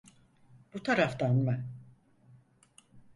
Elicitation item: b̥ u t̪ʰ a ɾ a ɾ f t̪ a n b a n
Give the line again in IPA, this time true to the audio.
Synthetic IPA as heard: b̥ u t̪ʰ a ɾ a f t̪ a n m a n